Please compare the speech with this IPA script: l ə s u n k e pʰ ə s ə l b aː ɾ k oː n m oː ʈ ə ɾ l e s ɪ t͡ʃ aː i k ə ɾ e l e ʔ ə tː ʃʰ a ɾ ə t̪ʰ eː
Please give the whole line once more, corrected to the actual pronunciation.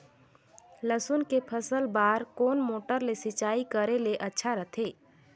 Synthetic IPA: l ə s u n k e pʰ ə s ə l b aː ɾ k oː n m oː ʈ ə ɾ l e s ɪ t͡ʃ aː i k ə ɾ e l e ʔ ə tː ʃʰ a ɾ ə t̪ʰ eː